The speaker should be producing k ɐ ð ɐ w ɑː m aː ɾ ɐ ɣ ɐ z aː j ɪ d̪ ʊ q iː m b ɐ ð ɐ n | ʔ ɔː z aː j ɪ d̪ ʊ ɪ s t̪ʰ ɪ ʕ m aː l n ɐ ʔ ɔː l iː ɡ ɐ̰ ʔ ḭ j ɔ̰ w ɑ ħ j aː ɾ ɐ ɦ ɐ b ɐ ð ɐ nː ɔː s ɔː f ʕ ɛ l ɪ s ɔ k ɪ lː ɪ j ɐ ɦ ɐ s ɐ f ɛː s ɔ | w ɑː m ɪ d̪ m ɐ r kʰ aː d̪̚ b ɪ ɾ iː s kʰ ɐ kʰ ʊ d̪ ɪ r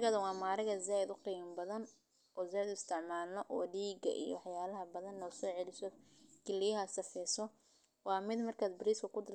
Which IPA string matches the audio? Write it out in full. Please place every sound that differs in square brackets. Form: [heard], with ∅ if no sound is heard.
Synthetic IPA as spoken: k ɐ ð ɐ w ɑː m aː ɾ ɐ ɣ ɐ z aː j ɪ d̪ ʊ q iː m b ɐ ð ɐ n | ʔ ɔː z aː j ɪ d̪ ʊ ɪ s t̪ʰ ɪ ʕ m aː l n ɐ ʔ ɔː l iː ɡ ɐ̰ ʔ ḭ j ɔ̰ w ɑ ħ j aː [l] ɐ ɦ ɐ b ɐ ð ɐ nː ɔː s ɔː [∅] ʕ ɛ l ɪ s ɔ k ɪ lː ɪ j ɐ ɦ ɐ s ɐ f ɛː s ɔ | w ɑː m ɪ d̪ m ɐ r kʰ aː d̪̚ b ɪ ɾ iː s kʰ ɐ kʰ ʊ d̪ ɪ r